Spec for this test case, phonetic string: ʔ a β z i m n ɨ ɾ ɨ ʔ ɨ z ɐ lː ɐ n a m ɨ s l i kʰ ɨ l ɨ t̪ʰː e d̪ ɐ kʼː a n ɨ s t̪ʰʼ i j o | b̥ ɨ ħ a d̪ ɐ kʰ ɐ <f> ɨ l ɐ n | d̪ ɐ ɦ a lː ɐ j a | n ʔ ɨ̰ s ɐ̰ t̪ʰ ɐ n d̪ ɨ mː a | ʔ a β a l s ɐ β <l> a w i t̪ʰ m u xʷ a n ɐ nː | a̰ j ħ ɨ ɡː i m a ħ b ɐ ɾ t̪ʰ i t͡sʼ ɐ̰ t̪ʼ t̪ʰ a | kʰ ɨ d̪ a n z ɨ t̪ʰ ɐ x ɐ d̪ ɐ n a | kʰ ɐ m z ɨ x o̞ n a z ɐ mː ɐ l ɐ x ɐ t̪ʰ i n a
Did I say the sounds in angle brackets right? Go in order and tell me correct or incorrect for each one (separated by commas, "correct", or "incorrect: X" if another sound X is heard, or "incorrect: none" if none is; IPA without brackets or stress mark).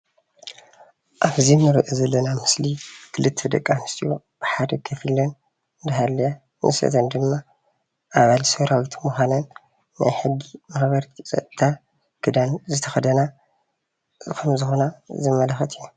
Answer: correct, incorrect: ɾ